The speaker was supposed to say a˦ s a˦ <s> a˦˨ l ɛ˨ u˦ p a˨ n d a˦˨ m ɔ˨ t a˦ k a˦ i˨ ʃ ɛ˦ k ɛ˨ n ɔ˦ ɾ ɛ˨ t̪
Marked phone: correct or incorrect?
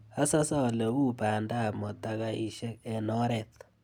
correct